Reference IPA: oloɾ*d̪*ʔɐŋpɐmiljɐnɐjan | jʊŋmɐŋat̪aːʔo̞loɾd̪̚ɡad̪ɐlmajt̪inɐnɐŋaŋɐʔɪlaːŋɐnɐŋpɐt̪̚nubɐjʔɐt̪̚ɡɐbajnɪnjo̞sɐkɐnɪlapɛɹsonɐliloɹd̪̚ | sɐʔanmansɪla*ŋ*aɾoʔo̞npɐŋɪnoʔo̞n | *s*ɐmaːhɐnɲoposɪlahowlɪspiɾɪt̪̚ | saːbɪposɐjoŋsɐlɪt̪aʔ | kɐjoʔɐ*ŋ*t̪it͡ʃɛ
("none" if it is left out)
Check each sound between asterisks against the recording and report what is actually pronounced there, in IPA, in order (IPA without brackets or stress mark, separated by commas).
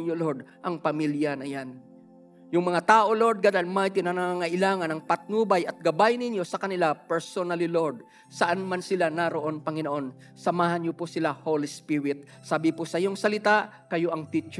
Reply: d̪, n, s, ŋ